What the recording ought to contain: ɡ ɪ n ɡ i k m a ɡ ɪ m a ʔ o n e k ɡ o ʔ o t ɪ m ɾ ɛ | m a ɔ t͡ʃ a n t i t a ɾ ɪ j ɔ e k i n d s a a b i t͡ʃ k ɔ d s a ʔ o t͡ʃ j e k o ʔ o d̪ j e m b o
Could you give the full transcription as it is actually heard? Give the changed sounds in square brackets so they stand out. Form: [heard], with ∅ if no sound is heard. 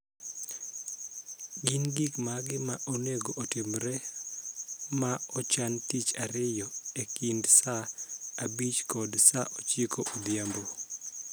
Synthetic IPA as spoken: ɡ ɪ n ɡ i k m a ɡ ɪ m a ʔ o n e [∅] ɡ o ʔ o t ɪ m ɾ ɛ | m a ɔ t͡ʃ a n t i [t͡ʃ] a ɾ ɪ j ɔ e k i n d s a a b i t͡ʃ k ɔ d s a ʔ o t͡ʃ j e k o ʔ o d̪ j [a] m b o